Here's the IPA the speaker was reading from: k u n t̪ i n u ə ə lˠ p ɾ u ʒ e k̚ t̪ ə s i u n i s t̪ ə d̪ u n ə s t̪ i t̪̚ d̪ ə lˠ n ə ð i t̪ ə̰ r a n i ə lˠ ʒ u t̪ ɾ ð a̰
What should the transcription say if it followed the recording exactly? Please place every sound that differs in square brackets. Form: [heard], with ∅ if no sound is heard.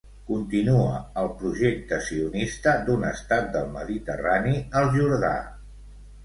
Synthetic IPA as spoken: k u n t̪ i n u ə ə lˠ p ɾ u ʒ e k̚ t̪ ə s i u n i s t̪ ə d̪ u n ə s t̪ [a] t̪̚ d̪ ə lˠ [m] ə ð i t̪ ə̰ r a n i ə lˠ ʒ u [∅] ɾ ð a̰